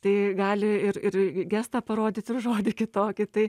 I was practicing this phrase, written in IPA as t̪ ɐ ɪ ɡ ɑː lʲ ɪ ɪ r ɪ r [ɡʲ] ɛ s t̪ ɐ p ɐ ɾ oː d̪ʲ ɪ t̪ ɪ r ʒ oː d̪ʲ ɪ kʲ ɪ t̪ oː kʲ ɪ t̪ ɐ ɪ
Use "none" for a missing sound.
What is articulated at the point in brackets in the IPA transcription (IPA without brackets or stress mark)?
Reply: ɡʲ